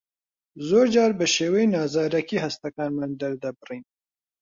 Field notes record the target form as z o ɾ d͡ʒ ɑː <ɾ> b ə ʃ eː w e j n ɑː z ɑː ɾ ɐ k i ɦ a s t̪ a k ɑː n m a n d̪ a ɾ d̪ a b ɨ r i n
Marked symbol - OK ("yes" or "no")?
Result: yes